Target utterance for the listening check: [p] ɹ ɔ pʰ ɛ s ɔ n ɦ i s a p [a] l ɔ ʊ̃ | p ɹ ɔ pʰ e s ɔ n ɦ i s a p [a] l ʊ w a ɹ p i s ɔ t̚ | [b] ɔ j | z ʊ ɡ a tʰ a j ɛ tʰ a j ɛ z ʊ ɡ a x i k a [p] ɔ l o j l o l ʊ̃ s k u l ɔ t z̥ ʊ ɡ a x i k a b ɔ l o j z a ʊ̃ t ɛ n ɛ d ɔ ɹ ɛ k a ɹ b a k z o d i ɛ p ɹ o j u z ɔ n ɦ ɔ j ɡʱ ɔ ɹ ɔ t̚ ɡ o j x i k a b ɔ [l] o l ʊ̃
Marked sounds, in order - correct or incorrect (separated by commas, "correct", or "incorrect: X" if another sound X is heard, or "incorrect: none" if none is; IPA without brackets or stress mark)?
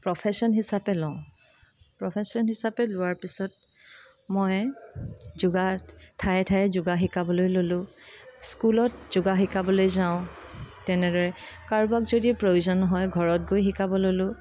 correct, incorrect: ɛ, incorrect: ɛ, incorrect: m, incorrect: b, correct